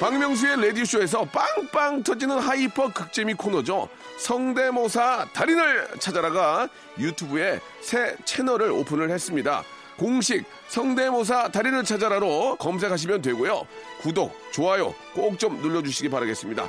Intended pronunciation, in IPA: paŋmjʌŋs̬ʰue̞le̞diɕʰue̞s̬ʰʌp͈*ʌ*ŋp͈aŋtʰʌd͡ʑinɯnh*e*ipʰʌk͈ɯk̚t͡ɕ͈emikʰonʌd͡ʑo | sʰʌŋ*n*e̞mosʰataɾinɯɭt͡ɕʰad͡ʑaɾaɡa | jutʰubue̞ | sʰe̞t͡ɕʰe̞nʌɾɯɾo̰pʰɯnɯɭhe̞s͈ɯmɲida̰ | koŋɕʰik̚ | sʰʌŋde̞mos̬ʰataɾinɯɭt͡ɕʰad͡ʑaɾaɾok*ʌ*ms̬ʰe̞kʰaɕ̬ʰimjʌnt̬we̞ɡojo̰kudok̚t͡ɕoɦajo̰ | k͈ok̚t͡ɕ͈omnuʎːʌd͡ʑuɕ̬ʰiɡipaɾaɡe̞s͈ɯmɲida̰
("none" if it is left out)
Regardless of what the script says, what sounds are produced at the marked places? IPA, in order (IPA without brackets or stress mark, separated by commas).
a, a, d, ʌ